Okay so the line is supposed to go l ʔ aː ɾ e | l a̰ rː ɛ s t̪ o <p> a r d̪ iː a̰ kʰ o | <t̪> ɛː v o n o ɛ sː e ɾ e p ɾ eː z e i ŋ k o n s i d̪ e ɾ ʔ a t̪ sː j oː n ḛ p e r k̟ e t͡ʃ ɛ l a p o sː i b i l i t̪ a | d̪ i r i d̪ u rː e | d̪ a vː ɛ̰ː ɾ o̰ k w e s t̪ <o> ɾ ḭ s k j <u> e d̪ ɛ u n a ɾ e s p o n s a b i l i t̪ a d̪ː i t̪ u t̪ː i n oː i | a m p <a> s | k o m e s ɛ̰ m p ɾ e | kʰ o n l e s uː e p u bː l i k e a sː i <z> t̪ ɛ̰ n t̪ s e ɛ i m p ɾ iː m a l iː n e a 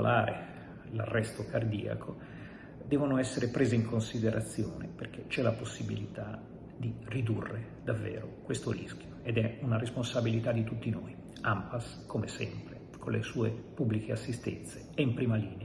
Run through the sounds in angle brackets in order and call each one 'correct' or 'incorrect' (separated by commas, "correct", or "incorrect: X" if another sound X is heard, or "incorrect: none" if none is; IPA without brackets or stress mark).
incorrect: k, incorrect: d̪, correct, incorrect: o, correct, incorrect: s